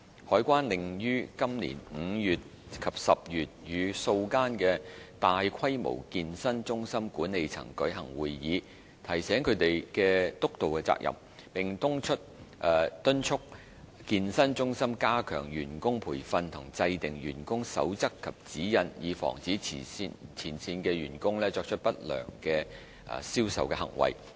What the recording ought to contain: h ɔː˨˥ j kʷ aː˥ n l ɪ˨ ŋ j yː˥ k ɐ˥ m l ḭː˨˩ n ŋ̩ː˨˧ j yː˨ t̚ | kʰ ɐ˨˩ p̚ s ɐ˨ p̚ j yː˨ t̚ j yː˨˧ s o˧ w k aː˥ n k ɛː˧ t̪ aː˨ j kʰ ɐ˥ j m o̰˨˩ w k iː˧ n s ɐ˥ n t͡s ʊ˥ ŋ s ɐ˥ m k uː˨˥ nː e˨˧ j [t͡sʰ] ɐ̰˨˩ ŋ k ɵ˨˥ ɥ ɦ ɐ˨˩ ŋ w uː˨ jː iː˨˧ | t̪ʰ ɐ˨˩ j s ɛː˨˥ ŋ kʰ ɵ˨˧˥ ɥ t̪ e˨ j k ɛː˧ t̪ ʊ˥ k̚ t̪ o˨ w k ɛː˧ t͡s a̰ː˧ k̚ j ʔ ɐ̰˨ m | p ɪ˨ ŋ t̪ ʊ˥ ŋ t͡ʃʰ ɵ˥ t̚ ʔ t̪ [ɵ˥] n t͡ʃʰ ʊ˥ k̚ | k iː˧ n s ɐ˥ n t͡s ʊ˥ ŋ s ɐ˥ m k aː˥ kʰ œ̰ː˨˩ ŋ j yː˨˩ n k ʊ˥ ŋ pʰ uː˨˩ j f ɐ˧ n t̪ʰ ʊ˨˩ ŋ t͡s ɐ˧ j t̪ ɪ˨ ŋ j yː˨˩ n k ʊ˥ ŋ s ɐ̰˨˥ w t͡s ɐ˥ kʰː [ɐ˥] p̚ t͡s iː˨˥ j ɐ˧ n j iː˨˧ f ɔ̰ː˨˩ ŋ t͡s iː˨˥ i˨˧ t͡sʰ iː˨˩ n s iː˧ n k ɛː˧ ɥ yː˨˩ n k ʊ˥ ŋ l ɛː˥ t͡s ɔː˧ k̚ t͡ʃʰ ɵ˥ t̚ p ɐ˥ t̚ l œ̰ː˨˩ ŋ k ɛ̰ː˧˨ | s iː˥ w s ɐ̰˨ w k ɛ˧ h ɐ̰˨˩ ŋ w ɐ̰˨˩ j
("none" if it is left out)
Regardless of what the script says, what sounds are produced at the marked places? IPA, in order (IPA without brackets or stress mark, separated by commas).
t͡sʰ, ɵ˥, ɐ˨